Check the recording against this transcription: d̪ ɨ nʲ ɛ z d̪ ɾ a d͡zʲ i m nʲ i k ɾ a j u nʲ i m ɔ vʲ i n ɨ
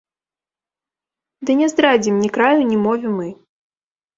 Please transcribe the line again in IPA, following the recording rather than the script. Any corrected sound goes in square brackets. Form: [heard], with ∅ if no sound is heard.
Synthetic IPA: d̪ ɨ nʲ ɛ z d̪ ɾ a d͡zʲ i m nʲ i k ɾ a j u nʲ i m ɔ vʲ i [m] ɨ